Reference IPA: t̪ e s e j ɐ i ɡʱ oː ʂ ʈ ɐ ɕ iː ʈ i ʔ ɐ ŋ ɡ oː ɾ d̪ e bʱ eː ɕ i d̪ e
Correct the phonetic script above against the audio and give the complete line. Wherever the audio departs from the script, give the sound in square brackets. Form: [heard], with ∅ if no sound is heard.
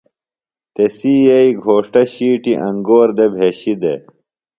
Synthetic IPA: t̪ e s [i] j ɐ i ɡʱ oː ʂ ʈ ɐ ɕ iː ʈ i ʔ ɐ ŋ ɡ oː ɾ d̪ e bʱ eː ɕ i d̪ e